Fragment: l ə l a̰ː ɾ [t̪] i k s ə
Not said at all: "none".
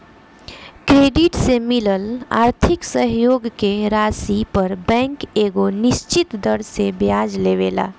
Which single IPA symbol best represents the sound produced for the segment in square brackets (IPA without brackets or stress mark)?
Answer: t̪ʰ